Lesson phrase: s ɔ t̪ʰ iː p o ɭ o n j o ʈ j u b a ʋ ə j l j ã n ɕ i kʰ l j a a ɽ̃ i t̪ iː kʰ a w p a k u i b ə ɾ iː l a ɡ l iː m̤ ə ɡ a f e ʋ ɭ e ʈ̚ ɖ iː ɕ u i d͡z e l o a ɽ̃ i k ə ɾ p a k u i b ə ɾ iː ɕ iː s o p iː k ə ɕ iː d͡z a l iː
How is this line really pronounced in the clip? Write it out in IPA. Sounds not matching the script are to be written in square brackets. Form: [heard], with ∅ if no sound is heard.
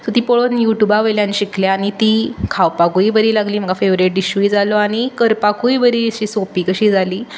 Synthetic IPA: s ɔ [t̪] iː p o ɭ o n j [u] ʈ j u b a ʋ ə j l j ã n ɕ i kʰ l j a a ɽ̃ i t̪ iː kʰ a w p a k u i b ə ɾ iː l a ɡ l iː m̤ ə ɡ a f e ʋ [ɾ] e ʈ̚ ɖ [i] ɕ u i d͡z [a] l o a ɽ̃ i k ə ɾ p a k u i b ə ɾ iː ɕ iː s o p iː k ə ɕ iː d͡z a l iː